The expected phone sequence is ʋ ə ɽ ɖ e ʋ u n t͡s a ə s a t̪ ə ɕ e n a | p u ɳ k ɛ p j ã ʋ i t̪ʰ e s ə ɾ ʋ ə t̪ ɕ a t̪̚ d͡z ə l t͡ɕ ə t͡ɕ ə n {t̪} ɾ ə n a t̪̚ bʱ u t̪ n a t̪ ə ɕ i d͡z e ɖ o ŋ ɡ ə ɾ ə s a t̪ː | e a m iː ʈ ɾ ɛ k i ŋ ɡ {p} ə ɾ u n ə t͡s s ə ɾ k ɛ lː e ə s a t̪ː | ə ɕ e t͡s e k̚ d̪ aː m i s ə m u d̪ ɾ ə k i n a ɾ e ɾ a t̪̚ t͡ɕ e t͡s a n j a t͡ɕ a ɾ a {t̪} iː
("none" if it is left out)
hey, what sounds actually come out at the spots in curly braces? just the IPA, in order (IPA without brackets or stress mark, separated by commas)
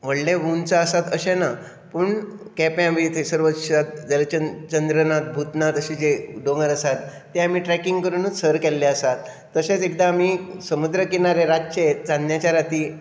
d̪, k, t̪